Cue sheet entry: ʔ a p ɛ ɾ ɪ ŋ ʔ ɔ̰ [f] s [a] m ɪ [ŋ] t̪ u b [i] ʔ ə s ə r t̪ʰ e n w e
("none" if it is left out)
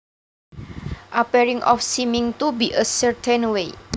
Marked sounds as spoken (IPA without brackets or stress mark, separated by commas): f, i, ŋ, i